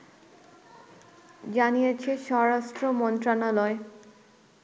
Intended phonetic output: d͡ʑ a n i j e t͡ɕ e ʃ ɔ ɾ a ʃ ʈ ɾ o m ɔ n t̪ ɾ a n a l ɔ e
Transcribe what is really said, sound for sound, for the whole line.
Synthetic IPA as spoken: d͡ʑ a n i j e t͡ɕʰ e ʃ ɔ ɾ a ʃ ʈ ɾ o m ɔ n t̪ ɾ a n a l ɔ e